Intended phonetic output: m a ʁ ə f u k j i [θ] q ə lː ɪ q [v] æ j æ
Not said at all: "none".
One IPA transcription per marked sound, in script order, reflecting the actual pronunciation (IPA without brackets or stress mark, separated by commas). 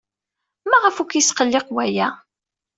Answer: s, w